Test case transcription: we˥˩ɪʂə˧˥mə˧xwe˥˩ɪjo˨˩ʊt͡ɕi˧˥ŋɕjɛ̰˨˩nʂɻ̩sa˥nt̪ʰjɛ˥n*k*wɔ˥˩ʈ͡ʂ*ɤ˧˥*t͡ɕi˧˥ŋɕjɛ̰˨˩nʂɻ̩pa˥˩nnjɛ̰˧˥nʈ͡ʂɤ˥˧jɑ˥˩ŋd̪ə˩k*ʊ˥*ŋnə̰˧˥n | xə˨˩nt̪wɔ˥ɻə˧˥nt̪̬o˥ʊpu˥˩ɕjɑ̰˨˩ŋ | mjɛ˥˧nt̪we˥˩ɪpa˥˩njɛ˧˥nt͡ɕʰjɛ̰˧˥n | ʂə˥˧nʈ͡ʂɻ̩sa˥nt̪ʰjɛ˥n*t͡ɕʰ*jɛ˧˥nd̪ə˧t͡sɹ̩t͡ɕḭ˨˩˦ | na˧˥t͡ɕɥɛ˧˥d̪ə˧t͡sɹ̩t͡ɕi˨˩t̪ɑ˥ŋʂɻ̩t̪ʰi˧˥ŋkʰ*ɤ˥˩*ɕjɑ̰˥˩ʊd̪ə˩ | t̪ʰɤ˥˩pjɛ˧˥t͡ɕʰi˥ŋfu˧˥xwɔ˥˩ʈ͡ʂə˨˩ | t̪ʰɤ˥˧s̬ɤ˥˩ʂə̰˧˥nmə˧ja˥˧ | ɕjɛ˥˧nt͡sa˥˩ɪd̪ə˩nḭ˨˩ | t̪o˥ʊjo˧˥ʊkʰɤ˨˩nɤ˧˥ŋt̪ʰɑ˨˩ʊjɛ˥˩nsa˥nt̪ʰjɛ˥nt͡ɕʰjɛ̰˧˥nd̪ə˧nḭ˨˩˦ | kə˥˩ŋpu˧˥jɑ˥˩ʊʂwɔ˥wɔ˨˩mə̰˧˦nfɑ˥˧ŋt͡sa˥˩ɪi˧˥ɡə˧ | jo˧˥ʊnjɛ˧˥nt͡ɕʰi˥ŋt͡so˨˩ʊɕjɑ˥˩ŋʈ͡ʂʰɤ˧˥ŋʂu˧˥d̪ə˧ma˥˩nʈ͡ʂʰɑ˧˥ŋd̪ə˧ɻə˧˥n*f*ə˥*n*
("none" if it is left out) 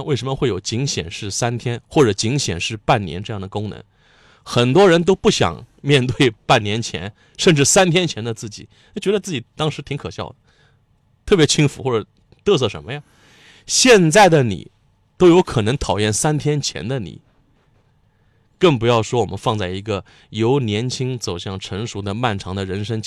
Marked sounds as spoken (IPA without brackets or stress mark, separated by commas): x, ɤ˨˩, ʊ˥, t͡ɕʰ, ɤ˨˩, ʂ, ŋ